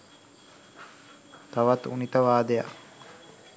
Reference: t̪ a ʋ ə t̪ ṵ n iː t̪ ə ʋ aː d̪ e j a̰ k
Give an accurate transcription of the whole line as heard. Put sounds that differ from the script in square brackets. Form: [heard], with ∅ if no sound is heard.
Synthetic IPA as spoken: t̪ a ʋ [a] t̪ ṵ n [i] t̪ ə ʋ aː d̪ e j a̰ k